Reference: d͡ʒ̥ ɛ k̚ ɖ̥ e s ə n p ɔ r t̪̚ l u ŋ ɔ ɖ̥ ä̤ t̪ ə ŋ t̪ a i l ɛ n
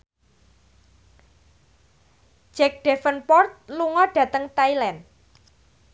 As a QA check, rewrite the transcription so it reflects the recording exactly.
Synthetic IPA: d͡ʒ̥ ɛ k̚ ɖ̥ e f ə n p ɔ r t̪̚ l u ŋ ɔ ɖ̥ ä̤ t̪ ə ŋ t̪ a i l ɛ n